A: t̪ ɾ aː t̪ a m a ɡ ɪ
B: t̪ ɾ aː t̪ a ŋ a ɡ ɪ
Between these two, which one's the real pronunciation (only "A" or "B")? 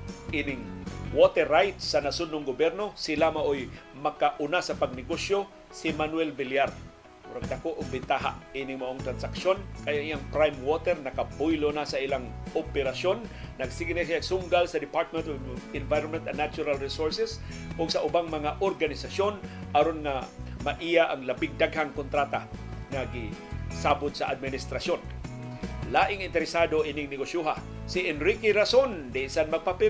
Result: B